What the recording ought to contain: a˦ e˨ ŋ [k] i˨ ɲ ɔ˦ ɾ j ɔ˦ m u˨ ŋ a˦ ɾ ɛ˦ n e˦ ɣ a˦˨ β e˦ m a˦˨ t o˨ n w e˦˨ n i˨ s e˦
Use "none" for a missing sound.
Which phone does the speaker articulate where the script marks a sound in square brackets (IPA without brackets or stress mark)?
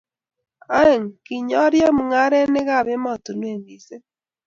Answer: k